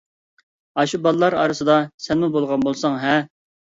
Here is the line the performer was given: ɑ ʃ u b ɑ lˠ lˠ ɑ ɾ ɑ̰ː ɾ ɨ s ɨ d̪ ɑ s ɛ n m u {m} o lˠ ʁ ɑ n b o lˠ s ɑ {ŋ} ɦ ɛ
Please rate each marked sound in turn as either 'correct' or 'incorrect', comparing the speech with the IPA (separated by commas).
incorrect, correct